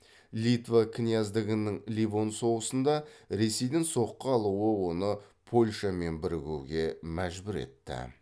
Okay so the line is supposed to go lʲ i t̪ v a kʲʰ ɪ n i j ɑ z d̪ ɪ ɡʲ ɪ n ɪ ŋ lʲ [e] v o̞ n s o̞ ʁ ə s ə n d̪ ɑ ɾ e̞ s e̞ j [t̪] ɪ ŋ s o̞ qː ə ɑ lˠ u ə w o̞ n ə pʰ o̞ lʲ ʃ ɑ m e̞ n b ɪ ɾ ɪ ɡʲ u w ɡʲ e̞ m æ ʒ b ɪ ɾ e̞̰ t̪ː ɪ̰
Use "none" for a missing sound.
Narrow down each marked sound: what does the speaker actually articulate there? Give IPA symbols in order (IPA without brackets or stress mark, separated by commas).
i, d̪